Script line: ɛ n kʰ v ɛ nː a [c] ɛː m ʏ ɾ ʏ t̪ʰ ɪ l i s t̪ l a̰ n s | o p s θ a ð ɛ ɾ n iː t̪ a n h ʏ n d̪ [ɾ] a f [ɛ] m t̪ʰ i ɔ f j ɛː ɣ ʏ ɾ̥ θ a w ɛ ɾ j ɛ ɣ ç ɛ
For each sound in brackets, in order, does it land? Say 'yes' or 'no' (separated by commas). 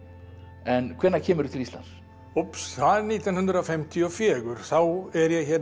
no, yes, yes